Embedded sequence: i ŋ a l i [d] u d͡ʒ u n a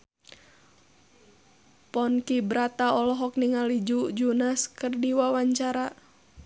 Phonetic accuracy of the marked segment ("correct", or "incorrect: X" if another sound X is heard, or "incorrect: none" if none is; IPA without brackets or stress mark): incorrect: d͡ʒ